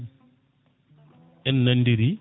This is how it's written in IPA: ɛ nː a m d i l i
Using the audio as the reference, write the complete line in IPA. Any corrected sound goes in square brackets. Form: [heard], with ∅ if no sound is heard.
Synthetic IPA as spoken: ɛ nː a [n] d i [ɾ] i